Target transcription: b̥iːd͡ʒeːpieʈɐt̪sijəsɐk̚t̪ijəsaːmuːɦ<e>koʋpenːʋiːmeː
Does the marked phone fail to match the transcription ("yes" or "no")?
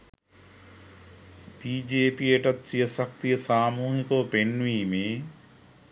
yes